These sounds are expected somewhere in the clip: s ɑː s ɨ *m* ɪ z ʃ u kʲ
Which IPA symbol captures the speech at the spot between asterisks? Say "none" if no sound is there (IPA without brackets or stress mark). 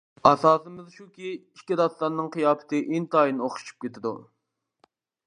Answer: m